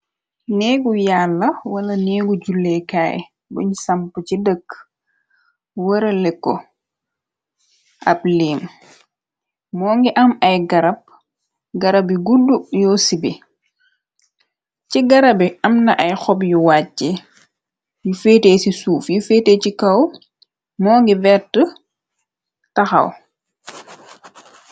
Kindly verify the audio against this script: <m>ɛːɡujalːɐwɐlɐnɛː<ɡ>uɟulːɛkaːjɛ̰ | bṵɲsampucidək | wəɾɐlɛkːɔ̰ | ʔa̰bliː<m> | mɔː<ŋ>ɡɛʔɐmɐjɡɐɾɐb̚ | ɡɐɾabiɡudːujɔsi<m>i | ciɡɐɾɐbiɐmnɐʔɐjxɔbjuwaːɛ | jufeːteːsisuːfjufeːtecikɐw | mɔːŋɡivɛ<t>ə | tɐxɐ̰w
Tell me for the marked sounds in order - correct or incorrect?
incorrect: n, correct, correct, correct, incorrect: b, correct

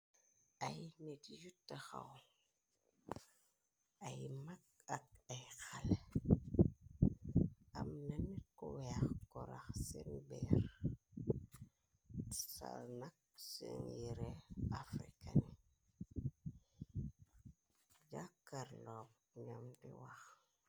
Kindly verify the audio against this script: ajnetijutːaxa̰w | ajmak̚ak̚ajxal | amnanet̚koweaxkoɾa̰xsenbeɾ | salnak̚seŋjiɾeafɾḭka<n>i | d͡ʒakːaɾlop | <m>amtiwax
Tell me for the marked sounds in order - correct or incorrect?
correct, incorrect: ɲ

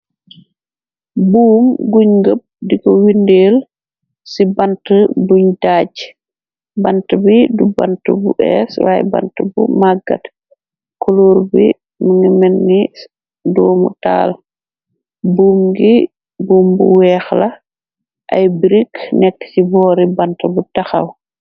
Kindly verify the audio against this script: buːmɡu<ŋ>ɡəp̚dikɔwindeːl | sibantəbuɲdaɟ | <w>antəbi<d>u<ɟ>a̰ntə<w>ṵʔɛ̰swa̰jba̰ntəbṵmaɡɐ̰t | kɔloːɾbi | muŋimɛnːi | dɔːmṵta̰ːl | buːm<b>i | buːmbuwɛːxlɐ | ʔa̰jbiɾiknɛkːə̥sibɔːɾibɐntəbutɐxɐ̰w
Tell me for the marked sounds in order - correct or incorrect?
incorrect: ɲ, incorrect: b, correct, incorrect: b, incorrect: b, incorrect: ɡ

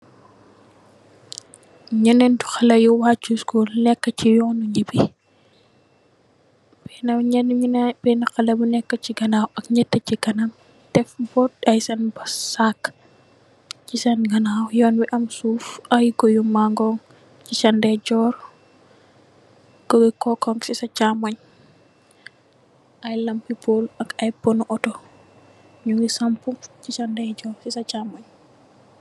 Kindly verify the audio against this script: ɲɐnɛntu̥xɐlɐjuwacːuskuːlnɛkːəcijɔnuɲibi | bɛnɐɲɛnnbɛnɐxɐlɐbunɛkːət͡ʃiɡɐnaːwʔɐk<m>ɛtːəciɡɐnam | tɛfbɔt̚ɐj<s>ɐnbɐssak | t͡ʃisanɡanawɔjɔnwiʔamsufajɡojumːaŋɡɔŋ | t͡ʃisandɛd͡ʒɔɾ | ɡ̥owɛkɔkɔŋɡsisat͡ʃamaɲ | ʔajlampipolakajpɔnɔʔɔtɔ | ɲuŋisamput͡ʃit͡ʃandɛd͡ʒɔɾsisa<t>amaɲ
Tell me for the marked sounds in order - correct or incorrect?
incorrect: ɲ, correct, incorrect: t͡ʃ

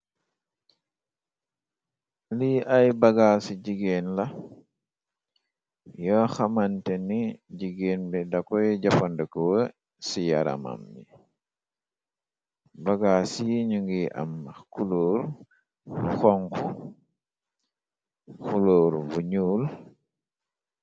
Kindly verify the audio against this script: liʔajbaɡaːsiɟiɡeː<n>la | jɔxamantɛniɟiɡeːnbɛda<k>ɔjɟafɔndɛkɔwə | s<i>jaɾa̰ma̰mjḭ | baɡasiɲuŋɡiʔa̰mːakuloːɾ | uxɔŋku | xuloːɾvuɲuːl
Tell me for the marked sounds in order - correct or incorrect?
correct, correct, correct

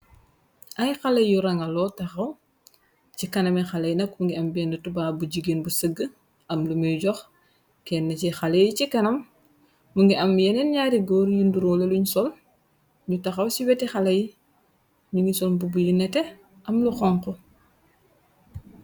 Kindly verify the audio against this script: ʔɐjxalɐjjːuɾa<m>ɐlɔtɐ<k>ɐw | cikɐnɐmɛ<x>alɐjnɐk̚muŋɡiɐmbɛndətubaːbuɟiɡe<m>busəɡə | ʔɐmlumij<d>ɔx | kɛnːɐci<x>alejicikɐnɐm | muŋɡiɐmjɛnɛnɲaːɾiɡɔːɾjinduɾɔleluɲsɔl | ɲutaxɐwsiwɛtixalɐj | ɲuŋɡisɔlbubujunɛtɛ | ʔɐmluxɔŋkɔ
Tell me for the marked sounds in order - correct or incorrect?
incorrect: ŋ, incorrect: x, correct, incorrect: n, incorrect: ɟ, correct

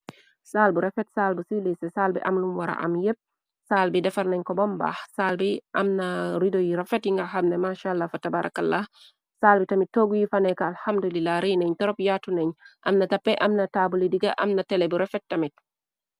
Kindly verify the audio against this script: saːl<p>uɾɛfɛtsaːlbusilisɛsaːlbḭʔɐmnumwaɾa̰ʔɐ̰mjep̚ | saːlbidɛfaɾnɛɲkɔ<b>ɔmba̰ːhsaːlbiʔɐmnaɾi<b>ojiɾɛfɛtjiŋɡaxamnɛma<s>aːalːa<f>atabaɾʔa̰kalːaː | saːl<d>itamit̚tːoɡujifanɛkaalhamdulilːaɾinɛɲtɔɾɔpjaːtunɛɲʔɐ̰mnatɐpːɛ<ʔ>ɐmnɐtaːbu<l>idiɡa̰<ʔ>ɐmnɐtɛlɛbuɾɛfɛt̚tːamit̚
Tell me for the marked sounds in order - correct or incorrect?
incorrect: b, correct, incorrect: d, incorrect: ʃ, correct, incorrect: b, correct, correct, correct

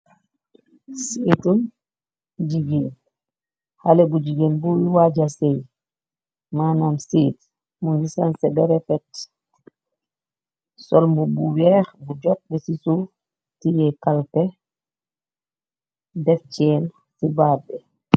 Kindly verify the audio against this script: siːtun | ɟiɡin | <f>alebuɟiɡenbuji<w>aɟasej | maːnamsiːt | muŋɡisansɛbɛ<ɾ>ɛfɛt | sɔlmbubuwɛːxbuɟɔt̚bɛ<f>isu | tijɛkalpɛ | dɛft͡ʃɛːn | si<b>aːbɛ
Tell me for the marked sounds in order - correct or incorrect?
incorrect: h, correct, correct, incorrect: s, correct

